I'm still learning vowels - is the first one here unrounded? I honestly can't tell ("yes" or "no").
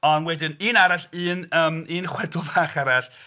no